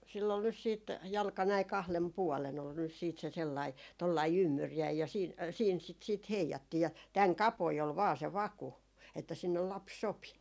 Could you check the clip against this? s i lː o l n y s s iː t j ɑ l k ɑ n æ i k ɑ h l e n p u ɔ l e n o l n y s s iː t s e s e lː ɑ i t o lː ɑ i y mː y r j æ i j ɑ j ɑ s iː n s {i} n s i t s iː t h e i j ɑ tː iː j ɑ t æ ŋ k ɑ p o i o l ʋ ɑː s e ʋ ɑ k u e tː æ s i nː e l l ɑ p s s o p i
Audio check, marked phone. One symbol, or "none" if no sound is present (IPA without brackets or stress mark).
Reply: iː